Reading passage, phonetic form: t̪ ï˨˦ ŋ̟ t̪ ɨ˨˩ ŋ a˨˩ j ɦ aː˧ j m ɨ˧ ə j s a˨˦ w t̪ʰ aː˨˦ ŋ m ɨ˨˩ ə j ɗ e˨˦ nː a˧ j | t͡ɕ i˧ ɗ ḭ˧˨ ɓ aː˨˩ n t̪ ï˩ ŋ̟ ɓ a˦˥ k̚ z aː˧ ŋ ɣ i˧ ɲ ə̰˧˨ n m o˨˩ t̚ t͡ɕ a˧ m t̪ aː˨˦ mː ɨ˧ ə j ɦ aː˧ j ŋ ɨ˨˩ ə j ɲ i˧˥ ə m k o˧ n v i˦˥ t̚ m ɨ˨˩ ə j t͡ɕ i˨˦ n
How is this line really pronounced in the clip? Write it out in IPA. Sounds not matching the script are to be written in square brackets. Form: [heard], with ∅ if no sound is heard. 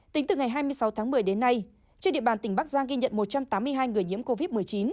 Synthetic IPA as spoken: t̪ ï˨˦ ŋ̟ t̪ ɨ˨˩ ŋ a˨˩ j ɦ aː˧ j m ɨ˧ ə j s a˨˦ w t̪ʰ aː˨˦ ŋ m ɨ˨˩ ə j ɗ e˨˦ nː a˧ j | t͡ɕ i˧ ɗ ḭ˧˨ ɓ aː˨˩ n t̪ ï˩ ŋ̟ ɓ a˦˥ k̚ z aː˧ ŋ ɣ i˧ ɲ ə̰˧˨ n m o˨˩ t̚ t͡ɕ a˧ m t̪ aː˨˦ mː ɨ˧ ə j ɦ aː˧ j ŋ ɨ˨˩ ə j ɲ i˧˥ ə m k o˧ [∅] v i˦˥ t̚ m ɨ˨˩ ə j t͡ɕ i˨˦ n